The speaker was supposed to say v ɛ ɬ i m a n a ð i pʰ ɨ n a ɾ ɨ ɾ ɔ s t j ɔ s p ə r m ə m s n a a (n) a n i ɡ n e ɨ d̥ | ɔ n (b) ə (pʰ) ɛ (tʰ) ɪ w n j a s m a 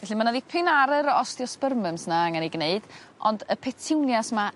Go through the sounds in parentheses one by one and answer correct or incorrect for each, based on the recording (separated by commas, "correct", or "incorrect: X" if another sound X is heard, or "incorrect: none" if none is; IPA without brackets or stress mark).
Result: incorrect: ŋ, incorrect: d, correct, correct